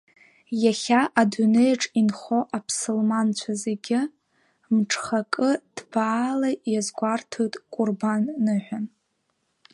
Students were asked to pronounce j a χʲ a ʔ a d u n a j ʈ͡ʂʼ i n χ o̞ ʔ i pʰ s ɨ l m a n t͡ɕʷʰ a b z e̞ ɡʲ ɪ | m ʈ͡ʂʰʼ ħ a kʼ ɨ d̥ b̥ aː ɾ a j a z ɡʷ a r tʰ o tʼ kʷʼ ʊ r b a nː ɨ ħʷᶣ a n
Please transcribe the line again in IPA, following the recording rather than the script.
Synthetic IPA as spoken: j a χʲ a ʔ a d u n e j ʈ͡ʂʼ i n χ o̞ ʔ a pʰ s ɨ l m a n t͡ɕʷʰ a z e̞ ɡʲ ɪ | m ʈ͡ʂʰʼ χ a kʼ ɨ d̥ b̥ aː l a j a z ɡʷ a r tʰ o tʼ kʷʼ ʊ r b a nː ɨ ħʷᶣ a n

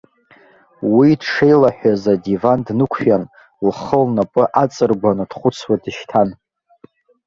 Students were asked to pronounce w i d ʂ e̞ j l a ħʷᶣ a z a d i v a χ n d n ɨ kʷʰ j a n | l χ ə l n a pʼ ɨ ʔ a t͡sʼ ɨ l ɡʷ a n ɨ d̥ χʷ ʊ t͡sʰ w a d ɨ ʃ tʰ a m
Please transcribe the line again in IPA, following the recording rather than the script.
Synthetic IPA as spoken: w i d ʂ e̞ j l a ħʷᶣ a z a d i v a n d n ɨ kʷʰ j a n | l χ ə l n a pʼ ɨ ʔ a t͡sʼ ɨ r ɡʷ a n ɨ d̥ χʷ ʊ t͡sʰ w a d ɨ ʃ tʰ a n

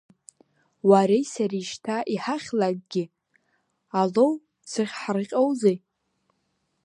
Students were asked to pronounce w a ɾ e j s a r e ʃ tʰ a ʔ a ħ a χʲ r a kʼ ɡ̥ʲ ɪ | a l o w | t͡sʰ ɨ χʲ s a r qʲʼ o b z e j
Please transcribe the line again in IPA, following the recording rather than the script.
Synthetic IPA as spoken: w a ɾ e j s a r i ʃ tʰ a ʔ i ħ a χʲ l a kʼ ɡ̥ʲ ɪ | a l o w | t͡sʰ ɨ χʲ ħ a r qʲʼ o w z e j

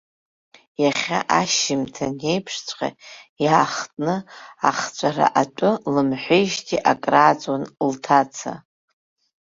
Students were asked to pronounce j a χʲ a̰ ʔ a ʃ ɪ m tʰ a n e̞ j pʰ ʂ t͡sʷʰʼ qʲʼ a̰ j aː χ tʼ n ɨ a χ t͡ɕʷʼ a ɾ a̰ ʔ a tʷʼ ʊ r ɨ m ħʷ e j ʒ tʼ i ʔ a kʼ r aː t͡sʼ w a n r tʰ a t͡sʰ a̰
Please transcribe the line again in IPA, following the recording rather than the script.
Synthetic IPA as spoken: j a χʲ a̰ ʔ a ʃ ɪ m tʰ a n e̞ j pʰ ʂ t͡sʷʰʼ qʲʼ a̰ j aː χ tʼ n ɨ a χ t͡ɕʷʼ a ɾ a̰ ʔ a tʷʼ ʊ l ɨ m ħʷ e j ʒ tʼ i ʔ a kʼ r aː t͡sʼ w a n l tʰ a t͡sʰ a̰

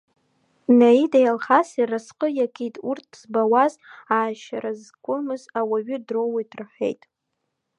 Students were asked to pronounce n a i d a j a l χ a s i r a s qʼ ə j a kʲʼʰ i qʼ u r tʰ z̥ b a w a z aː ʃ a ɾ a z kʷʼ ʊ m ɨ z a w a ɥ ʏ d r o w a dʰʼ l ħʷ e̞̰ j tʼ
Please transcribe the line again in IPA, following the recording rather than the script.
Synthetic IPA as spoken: n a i d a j a l χ a s i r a s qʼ ə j a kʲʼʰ i tʼ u r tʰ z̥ b a w a z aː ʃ a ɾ a z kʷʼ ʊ m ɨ z a w a ɥ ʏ d r o w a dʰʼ r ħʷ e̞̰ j tʼ

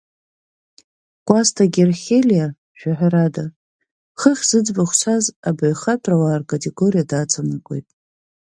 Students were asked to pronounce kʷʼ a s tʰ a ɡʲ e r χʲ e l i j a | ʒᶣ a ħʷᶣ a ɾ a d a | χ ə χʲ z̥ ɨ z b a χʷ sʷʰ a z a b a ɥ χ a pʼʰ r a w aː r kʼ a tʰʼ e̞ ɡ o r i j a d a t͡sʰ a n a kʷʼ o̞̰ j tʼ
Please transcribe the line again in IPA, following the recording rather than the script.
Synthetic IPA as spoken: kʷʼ a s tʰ a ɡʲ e r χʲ e l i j a | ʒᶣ a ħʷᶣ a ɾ a d a | χ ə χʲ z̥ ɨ d͡z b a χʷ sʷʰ a z a b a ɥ χ a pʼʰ r a w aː r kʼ a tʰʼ e̞ ɡ o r i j a d a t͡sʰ a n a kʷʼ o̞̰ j tʼ

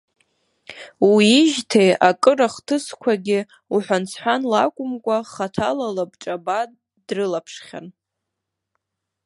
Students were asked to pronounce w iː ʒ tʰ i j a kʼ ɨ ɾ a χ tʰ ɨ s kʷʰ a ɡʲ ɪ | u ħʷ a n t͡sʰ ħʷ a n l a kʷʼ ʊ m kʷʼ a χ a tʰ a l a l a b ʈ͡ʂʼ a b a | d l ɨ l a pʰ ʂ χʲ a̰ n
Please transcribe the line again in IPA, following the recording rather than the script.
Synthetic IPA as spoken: w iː ʒ tʰ e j a kʼ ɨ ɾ a χ tʰ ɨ s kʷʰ a ɡʲ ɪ | u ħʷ a n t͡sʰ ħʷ a n l a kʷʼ ʊ m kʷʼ a χ a tʰ a l a l a b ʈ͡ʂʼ a b a | d r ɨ l a pʰ ʂ χʲ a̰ n

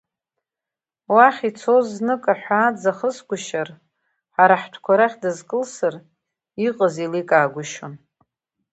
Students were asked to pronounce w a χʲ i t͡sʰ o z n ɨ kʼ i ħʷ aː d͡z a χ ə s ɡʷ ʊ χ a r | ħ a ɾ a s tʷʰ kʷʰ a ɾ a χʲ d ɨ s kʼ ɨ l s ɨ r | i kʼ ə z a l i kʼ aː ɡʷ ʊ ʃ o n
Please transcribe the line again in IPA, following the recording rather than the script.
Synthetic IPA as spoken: w a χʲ i t͡sʰ o z n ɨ kʼ a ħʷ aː d͡z a χ ə s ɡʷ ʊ ʃ a r | ħ a ɾ a ħ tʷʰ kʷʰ a ɾ a χʲ d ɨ z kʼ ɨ l s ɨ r | i qʼ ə z i l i kʼ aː ɡʷ ʊ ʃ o n

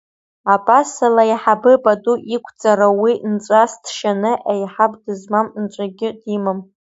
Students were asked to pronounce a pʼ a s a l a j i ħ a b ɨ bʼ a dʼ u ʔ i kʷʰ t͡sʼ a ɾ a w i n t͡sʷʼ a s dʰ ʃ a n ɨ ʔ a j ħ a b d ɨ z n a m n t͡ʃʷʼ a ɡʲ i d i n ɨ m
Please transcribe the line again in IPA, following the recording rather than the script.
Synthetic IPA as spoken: a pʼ a s a l a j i ħ a b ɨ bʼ a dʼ u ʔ i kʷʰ t͡sʼ a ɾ a w i n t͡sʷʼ a s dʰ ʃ a n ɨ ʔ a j ħ a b d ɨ z m a m n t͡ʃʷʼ a ɡʲ ɪ d i m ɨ m

